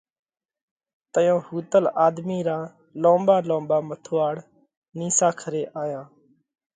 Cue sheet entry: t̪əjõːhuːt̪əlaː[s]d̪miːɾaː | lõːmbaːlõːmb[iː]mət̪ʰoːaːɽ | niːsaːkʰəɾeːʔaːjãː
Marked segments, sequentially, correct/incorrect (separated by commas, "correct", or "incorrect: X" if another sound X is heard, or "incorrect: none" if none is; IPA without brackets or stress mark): incorrect: none, incorrect: aː